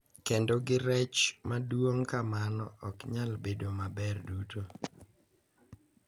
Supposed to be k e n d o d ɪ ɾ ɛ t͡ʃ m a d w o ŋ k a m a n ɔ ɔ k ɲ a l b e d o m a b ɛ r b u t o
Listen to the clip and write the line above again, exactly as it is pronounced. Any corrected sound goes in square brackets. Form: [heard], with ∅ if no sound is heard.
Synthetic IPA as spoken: k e n d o [ɡ] ɪ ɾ ɛ t͡ʃ m a d w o ŋ k a m a n ɔ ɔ k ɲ a l b e d o m a b ɛ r [d] u t o